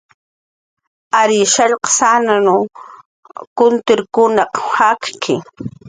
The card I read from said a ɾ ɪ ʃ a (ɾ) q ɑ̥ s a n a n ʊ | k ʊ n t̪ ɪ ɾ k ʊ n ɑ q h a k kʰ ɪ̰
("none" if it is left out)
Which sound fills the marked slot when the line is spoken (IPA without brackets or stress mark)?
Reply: ʎ